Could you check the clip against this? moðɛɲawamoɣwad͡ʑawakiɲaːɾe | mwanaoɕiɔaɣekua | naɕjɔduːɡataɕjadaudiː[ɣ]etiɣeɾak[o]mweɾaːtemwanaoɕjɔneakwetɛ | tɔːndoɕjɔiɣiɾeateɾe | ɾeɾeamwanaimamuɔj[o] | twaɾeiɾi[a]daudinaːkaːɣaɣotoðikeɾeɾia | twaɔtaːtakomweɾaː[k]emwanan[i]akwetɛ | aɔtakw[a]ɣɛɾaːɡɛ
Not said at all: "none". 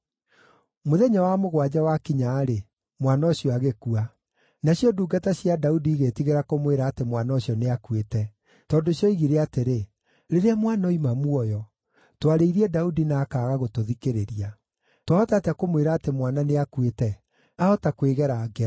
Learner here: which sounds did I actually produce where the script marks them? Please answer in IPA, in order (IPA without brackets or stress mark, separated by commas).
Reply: ɣ, o, ɔ, ɛ, t, e, e